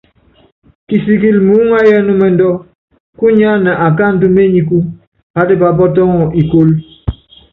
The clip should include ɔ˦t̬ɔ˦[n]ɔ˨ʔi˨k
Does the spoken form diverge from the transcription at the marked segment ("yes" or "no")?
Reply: yes